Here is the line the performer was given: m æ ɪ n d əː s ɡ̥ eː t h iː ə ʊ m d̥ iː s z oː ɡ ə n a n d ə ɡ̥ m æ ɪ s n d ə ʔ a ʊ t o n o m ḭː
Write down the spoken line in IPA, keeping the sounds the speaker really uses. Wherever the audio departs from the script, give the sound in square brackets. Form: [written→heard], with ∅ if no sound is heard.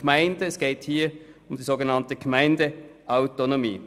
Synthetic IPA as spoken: m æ ɪ n d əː s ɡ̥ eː t h iː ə ʊ m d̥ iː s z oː ɡ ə n [a→ɑ] n [d→t] ə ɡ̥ m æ ɪ [s→∅] n d ə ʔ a ʊ t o n o m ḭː